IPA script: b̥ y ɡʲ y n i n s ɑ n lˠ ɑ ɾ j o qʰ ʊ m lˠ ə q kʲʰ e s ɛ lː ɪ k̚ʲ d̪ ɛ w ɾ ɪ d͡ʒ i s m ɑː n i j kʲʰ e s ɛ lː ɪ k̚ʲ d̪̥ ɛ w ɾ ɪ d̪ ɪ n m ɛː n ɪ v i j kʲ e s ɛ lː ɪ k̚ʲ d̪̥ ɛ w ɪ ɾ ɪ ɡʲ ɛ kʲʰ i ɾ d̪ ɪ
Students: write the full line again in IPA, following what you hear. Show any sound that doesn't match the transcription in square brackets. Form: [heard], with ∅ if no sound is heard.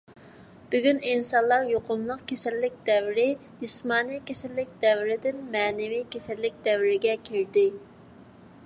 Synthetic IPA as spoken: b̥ y ɡʲ y n i n s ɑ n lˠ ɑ ɾ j o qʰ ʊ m lˠ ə q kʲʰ e s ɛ lː ɪ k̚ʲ d̪ ɛ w ɾ ɪ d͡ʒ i s m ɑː n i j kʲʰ e s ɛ lː ɪ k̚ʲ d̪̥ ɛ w ɾ ɪ d̪ ɪ n m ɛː n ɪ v i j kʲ e s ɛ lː ɪ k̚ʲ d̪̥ ɛ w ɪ ɾ ɪ ɡʲ ɛ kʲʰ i ɾ d̪ ɪ